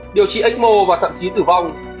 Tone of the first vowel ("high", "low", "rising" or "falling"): low